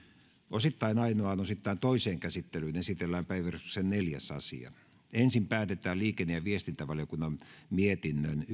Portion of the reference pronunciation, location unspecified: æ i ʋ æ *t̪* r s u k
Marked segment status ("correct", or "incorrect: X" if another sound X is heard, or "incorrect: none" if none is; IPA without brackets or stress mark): incorrect: none